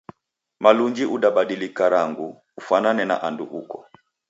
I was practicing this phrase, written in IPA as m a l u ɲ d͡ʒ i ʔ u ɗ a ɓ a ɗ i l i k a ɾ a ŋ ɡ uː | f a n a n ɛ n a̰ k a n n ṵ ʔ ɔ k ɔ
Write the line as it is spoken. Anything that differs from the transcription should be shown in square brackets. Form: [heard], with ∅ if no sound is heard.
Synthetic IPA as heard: m a l u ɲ d͡ʒ i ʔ u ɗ a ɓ a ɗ i l i k a ɾ a ŋ ɡ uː | f a n a n ɛ n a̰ [ʔ] a n [d] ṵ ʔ [u] k ɔ